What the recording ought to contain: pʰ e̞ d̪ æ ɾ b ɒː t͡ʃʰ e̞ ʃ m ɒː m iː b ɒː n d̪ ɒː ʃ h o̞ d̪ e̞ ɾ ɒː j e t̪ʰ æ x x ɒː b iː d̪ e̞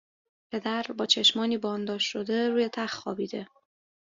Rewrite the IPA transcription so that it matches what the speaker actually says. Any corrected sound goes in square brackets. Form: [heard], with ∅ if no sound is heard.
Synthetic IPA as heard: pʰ e̞ d̪ æ ɾ b ɒː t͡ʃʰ e̞ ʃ m ɒː [n] iː b ɒː n d̪ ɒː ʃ [ʃ] o̞ d̪ e̞ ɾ [uː] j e t̪ʰ æ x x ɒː b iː d̪ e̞